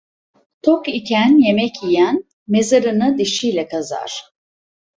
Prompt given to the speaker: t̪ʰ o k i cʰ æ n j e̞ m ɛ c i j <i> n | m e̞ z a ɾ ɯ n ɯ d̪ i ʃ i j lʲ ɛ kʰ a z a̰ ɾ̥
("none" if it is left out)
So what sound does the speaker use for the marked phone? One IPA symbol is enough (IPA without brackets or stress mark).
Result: æ